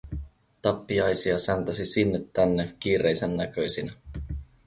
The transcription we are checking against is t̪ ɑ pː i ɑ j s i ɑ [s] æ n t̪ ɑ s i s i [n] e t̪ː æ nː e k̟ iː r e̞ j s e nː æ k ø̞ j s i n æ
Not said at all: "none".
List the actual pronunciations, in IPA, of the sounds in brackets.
s, nː

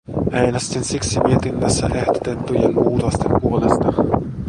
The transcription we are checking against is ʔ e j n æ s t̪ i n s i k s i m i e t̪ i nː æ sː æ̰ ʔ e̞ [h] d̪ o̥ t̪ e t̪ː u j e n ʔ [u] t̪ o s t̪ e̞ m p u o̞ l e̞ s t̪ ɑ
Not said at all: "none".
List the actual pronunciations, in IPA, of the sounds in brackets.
h, uː

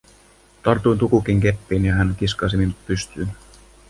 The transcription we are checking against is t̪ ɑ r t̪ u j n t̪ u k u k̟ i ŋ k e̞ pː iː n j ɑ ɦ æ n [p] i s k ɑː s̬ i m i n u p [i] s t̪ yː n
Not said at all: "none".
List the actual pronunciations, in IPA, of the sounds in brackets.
k, y

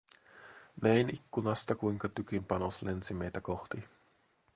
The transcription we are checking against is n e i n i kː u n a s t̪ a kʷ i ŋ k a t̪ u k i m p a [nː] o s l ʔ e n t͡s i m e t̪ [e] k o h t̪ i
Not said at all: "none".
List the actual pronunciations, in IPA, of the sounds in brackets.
n, a

